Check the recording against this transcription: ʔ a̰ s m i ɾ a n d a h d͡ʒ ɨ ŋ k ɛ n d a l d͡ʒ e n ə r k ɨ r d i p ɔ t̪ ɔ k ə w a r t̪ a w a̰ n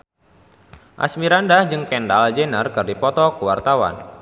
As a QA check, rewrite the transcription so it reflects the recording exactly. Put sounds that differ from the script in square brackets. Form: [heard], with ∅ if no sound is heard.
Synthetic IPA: ʔ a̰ s m i ɾ a n d a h d͡ʒ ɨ ŋ k ɛ n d a l d͡ʒ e n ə r k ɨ r d i p ɔ t̪ ɔ k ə w a r t̪ a w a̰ n

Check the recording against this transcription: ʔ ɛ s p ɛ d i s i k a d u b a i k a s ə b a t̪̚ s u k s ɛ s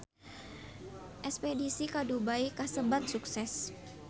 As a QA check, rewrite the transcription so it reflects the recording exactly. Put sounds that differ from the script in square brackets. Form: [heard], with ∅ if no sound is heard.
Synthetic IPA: ʔ ɛ s p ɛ d i s i k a d u b a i k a s ə b a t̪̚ s u k s ɛ s

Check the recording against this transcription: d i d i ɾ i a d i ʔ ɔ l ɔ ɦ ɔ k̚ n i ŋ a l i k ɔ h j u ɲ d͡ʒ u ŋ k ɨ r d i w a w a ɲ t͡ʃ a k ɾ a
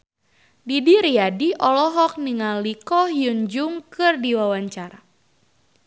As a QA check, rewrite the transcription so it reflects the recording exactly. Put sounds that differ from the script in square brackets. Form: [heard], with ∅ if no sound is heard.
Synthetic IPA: d i d i ɾ i a d i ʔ ɔ l ɔ ɦ ɔ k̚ n i ŋ a l i k ɔ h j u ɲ d͡ʒ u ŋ k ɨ r d i w a w a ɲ t͡ʃ a [∅] ɾ a

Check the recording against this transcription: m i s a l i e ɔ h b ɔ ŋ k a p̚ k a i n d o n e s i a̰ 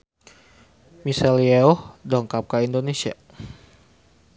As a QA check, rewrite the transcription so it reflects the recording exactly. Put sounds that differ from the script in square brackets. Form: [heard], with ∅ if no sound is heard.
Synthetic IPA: m i s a l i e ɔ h [d] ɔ ŋ k a p̚ k a i n d o n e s i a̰

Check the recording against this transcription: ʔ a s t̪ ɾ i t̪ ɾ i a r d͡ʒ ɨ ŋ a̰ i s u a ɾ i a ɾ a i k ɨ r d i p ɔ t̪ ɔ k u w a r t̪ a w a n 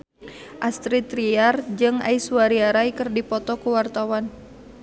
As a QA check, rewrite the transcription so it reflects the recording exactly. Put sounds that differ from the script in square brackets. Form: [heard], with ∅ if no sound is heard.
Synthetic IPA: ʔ a s t̪ ɾ i t̪ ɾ i a r d͡ʒ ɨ ŋ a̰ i s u a ɾ i a ɾ a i k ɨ r d i p ɔ t̪ ɔ k u w a r t̪ a w a n

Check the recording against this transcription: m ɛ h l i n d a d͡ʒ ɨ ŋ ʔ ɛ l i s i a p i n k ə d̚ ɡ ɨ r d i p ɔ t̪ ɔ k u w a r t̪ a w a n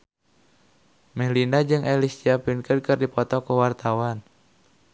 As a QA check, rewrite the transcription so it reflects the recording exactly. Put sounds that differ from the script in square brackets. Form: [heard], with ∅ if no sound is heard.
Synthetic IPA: m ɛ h l i n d a d͡ʒ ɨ ŋ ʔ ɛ l i s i a p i n k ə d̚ [k] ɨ r d i p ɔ t̪ ɔ k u w a r t̪ a w a n

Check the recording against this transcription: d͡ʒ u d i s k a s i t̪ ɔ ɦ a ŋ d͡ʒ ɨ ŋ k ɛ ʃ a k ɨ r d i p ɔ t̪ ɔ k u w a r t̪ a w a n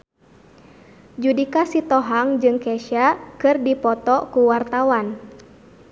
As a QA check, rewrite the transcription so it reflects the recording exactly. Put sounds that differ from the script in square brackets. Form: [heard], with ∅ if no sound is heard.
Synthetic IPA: d͡ʒ u d i [∅] k a s i t̪ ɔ ɦ a ŋ d͡ʒ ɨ ŋ k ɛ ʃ a k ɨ r d i p ɔ t̪ ɔ k u w a r t̪ a w a n

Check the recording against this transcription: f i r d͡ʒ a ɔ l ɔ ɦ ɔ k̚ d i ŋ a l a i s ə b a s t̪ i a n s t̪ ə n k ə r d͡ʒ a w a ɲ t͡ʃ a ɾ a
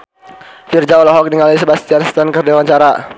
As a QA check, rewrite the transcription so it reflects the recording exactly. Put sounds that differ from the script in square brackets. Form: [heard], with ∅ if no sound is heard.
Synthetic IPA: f i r d͡ʒ a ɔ l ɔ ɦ ɔ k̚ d i ŋ a l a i s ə b a s t̪ i a n s t̪ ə n k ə r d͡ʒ a w a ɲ t͡ʃ a ɾ a

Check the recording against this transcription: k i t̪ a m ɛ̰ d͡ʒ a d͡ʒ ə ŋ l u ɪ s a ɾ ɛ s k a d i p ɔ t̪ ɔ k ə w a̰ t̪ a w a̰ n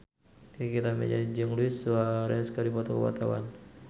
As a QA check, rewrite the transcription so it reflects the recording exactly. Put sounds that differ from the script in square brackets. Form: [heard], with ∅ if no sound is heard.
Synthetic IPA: k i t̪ a m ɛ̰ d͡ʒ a d͡ʒ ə ŋ l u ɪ s a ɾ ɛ s k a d i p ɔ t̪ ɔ k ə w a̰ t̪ a w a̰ n

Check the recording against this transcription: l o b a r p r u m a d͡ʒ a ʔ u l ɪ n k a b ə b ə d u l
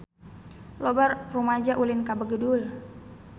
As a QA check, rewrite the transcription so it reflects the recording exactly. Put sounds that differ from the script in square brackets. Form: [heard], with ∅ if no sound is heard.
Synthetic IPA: l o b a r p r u m a d͡ʒ a ʔ u l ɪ n k a b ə [ɡ] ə d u l

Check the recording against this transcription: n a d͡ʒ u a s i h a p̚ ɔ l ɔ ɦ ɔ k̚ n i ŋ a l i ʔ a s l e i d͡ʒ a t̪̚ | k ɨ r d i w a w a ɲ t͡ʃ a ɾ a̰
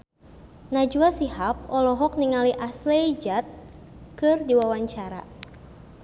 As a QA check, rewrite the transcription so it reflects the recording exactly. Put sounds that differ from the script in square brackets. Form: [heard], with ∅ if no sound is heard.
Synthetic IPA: n a d͡ʒ u a s i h a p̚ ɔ l ɔ ɦ ɔ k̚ n i ŋ a l i ʔ a s l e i d͡ʒ a t̪̚ | k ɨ r d i w a w a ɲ t͡ʃ a ɾ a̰

